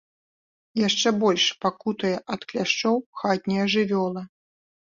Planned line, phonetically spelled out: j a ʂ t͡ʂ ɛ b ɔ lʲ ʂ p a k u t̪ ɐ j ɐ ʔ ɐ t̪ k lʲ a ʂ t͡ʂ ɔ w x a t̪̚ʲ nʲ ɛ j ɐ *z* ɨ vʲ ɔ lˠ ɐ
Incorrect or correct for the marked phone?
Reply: incorrect: ʐ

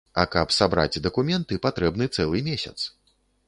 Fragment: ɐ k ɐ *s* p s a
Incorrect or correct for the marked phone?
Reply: incorrect: none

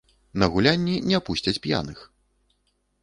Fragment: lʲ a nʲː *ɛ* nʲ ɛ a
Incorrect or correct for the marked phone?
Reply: incorrect: i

